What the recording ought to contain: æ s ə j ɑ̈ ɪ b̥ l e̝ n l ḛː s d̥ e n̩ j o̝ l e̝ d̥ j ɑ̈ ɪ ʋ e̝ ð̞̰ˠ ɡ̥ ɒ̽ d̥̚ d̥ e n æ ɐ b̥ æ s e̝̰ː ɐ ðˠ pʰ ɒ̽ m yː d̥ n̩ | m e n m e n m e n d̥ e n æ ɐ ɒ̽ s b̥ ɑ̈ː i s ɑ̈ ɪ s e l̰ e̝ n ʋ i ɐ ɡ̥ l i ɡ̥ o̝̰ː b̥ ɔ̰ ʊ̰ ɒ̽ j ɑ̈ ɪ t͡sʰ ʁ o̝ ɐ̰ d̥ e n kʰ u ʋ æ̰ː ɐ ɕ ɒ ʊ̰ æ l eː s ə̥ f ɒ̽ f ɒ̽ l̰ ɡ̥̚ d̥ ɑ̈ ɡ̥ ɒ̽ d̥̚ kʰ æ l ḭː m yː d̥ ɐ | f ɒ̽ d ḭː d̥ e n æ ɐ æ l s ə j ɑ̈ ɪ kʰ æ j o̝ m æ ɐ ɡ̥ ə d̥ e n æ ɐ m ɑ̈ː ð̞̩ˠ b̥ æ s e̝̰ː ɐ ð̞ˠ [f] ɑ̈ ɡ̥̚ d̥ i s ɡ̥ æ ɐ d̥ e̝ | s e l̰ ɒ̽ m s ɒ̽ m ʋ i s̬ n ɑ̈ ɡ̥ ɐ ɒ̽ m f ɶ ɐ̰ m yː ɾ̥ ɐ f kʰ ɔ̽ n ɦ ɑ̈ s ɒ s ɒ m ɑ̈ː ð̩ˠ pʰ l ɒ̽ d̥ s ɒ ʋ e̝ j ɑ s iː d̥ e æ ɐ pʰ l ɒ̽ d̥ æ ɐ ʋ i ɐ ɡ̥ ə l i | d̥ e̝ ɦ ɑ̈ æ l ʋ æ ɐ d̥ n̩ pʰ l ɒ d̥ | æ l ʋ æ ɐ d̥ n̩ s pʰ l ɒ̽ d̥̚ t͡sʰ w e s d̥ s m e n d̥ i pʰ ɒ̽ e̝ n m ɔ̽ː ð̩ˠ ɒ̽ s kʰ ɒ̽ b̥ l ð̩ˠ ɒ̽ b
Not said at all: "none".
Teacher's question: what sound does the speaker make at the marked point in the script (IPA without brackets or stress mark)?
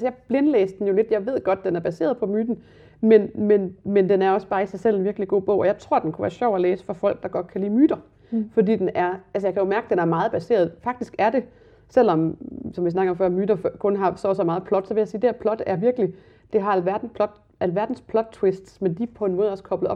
f